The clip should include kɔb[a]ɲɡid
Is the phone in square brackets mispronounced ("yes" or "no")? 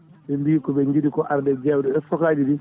yes